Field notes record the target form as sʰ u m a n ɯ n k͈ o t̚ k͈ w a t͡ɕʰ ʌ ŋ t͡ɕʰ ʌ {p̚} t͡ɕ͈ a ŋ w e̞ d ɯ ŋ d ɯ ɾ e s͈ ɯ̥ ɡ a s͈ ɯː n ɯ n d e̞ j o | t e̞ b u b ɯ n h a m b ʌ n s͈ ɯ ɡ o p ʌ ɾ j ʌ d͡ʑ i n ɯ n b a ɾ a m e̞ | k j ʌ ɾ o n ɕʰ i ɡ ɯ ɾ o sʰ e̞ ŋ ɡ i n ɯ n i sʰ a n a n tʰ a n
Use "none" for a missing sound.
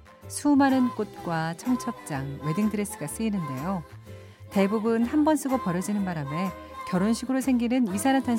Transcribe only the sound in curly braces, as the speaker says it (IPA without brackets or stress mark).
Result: p̚